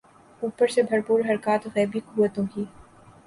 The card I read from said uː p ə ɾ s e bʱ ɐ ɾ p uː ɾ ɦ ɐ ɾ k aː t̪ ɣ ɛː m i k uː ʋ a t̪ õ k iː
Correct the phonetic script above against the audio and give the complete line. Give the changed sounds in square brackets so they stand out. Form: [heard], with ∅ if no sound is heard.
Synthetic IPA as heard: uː p ə ɾ s e bʱ ɐ ɾ p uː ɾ ɦ ɐ ɾ k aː t̪ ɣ ɛː [b] i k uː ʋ [ə] t̪ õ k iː